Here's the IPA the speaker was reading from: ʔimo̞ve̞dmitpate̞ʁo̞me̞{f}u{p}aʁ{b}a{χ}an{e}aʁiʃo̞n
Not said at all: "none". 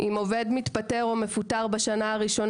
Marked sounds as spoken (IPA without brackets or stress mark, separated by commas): f, t, b, ʃ, a